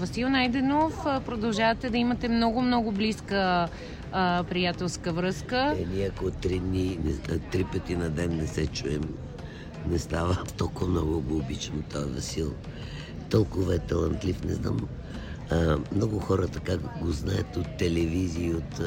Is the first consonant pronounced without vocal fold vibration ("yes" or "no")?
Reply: no